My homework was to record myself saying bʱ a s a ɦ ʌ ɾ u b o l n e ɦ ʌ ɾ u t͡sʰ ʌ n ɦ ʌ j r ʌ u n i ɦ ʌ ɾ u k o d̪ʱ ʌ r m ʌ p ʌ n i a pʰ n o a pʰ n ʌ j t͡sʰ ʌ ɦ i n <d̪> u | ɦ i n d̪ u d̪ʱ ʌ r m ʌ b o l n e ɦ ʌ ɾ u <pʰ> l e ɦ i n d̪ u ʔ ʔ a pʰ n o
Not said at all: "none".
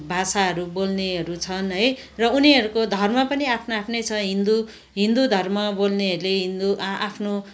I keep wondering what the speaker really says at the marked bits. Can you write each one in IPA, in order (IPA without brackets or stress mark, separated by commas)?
d̪, none